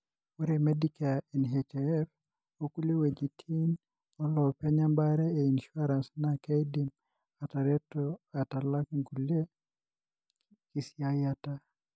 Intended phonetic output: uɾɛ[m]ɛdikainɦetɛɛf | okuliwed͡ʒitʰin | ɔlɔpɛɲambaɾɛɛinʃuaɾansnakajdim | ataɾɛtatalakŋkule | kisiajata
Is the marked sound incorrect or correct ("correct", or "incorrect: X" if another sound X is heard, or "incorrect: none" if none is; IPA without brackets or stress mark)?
correct